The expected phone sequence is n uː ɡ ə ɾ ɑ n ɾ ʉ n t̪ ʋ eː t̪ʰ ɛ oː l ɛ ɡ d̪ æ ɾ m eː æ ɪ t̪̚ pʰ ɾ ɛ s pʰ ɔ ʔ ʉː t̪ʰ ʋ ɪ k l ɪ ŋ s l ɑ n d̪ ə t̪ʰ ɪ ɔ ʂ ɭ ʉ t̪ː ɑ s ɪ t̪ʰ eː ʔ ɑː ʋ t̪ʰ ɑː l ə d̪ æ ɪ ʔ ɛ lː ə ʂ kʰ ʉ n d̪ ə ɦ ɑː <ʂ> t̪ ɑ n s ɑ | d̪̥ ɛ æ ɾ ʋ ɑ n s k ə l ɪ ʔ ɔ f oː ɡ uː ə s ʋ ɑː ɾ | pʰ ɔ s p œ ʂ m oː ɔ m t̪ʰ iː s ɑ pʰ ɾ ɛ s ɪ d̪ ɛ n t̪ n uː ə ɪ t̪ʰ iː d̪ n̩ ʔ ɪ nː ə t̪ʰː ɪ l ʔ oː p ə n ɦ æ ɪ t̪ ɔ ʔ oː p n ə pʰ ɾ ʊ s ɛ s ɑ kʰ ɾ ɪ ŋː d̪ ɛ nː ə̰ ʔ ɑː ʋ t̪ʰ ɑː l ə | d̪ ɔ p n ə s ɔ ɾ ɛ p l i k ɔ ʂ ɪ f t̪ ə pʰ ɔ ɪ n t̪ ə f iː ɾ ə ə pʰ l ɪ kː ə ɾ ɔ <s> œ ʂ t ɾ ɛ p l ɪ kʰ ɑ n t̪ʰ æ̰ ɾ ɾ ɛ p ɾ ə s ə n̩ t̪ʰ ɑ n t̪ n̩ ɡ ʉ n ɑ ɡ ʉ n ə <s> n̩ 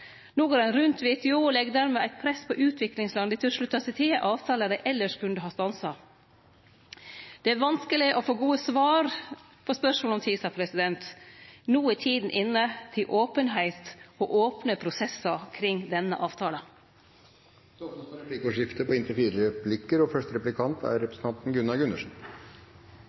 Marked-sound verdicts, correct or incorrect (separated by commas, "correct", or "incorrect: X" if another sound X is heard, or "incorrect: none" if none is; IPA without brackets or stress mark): incorrect: s, incorrect: f, incorrect: ʂ